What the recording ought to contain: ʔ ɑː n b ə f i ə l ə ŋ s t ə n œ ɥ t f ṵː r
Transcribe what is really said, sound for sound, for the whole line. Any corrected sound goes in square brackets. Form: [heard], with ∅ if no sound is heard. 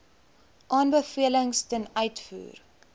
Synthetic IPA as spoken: ʔ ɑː n b ə f i ə l ə ŋ s t ə n œ ɥ t f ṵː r